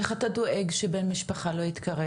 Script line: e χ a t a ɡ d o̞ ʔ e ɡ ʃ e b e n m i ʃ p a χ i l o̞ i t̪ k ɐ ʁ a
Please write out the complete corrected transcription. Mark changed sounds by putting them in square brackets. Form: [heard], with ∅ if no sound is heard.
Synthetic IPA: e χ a t a [∅] d o̞ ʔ e ɡ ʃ e b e n m i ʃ p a χ [a] l o̞ i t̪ k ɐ ʁ [e]